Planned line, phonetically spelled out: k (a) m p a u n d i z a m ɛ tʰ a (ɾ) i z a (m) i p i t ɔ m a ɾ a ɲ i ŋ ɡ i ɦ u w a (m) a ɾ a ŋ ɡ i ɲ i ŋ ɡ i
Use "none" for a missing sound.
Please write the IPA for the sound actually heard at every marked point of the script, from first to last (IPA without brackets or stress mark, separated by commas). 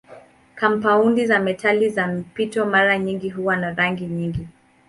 a, l, m, n